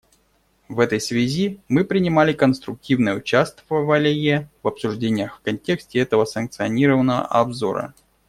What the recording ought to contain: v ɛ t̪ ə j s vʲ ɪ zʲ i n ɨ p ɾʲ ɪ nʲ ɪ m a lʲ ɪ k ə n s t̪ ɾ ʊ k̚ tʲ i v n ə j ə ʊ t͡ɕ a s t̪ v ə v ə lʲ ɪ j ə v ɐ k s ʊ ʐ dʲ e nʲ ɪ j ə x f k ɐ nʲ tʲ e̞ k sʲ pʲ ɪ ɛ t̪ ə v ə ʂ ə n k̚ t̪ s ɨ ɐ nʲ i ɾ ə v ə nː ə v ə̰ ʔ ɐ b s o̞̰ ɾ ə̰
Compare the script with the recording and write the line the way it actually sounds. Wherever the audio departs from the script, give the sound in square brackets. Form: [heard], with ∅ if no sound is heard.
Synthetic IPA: v ɛ t̪ ə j s vʲ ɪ zʲ i [m] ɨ p ɾʲ ɪ nʲ ɪ m a lʲ ɪ k ə n s t̪ ɾ ʊ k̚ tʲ i v n ə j ə ʊ t͡ɕ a s t̪ v ə v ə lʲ ɪ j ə v ɐ [p] s ʊ ʐ dʲ e nʲ ɪ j ə x f k ɐ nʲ tʲ e̞ k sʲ [tʲ] ɪ ɛ t̪ ə v ə [s] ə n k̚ t̪ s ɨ ɐ nʲ i ɾ ə v ə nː ə v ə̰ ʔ ɐ b [z] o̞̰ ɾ ə̰